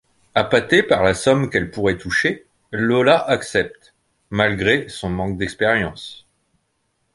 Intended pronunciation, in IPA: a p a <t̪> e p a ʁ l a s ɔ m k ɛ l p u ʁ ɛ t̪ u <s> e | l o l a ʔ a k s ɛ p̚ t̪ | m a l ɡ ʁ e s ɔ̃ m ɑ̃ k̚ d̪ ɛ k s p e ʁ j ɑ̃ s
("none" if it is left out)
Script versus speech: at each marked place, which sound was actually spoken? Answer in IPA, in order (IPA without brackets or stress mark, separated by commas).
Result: t̪, ʃ